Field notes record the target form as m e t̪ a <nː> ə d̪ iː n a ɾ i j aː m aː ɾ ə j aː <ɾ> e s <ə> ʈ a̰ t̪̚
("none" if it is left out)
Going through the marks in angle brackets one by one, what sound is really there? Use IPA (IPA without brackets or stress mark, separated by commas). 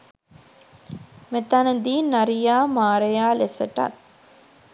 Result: n, l, ə